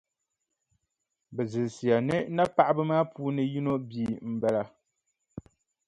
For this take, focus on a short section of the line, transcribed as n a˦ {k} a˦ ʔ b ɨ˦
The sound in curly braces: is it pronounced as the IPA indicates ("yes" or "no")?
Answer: no